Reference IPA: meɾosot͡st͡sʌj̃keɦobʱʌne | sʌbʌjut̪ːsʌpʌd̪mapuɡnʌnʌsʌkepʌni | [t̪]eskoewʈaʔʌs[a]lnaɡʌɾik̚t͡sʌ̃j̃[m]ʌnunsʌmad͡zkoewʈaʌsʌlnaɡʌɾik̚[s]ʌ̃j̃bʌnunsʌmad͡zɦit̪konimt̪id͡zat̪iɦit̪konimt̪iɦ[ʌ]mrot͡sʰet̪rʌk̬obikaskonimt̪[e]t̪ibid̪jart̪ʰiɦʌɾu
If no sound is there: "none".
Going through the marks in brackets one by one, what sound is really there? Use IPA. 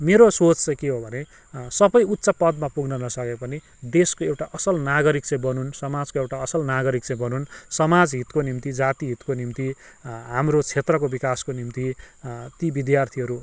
d̪, ʌ, b, t͡s, a, i

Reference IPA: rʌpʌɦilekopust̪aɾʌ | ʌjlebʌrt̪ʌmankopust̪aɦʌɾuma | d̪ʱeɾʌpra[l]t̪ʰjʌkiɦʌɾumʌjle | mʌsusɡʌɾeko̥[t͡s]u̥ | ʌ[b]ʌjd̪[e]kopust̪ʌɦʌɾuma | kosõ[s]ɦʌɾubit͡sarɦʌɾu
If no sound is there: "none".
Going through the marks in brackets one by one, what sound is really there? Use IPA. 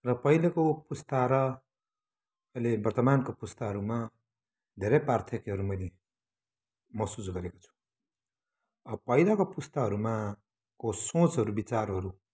r, t͡sʰ, p, a, t͡s

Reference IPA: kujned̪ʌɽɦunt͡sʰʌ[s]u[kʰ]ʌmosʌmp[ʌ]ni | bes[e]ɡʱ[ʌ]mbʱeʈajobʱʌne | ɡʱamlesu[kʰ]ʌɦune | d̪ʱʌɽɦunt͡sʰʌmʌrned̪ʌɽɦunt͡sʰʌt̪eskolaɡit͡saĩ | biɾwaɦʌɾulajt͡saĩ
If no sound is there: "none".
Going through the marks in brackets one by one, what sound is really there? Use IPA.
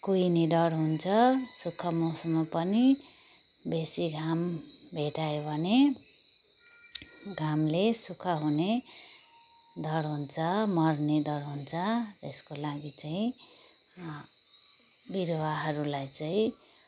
s, kʰ, ʌ, i, a, kʰ

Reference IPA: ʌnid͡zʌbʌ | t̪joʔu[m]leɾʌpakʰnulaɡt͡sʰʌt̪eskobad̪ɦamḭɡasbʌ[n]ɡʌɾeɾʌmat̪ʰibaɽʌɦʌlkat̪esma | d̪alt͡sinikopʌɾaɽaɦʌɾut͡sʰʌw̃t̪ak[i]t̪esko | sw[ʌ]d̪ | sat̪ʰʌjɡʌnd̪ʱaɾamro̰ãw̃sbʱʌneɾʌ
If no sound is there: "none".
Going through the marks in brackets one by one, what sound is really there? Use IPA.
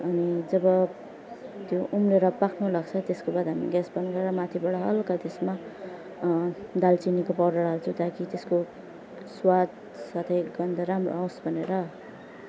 m, n, i, a

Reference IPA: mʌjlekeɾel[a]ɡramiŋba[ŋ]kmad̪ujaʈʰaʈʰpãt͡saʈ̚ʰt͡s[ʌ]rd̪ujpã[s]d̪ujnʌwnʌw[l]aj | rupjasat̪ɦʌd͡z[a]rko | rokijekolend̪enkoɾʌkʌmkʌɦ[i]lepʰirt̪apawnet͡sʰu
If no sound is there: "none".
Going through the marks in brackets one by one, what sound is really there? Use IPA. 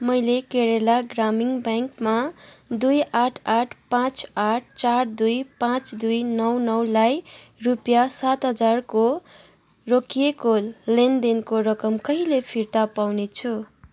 a, ŋ, a, t͡s, l, a, i

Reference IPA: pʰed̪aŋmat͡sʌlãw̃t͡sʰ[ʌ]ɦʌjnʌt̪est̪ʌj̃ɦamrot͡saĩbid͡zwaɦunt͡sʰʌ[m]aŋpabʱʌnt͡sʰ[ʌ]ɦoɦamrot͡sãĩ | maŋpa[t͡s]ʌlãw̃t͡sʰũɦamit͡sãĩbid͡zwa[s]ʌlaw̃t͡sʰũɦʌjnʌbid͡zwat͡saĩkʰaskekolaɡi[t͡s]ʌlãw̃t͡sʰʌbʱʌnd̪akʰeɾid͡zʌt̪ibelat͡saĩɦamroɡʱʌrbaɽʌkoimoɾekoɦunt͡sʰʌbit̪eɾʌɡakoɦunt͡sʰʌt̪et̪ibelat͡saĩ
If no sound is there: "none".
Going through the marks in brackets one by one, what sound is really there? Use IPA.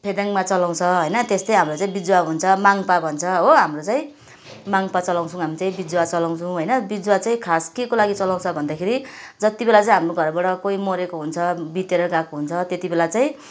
ʌ, m, ʌ, t͡s, t͡s, t͡s

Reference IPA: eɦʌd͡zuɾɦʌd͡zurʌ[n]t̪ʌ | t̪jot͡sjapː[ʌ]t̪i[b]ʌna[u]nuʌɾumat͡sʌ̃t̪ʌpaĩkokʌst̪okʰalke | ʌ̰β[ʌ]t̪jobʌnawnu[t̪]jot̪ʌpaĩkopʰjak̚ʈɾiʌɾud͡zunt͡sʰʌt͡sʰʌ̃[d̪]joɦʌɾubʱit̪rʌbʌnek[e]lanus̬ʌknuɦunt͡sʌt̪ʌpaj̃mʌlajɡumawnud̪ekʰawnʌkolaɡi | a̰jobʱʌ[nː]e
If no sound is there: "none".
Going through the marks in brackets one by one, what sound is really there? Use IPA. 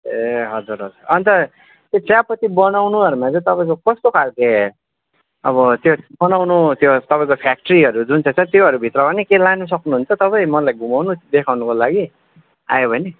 n, ʌ, b, w, ʌ, t̪, t̪, e, n

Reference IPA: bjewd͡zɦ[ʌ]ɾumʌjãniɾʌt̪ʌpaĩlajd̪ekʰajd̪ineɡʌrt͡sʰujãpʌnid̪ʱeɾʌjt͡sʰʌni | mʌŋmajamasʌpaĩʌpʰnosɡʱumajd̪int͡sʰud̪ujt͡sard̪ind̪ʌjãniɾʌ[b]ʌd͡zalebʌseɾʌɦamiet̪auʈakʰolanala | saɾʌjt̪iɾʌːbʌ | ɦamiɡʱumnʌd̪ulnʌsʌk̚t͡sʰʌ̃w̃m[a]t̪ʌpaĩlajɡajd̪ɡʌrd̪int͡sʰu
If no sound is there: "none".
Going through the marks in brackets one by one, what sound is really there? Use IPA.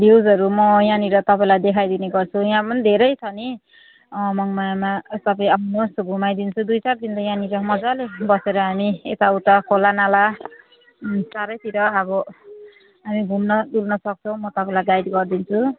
ʌ, m, ʌ

